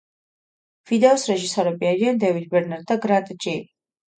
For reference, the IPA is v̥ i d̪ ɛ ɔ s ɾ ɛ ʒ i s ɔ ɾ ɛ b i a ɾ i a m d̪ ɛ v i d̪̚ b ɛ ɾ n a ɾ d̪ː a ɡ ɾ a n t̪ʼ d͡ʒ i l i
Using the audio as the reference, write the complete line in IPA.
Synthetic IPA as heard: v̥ i d̪ ɛ ɔ s ɾ ɛ ʒ i s ɔ ɾ ɛ b i a ɾ i a n d̪ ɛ v i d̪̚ b ɛ ɾ n a ɾ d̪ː a ɡ ɾ a n t̪ʼ d͡ʒ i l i